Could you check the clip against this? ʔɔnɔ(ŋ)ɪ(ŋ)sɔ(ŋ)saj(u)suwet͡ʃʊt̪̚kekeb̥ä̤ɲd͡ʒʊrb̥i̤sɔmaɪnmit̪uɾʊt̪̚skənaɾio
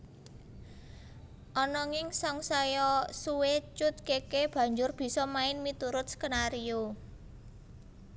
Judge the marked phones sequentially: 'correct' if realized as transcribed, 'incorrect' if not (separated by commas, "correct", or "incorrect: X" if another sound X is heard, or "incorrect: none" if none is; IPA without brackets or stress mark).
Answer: correct, correct, correct, incorrect: ɔ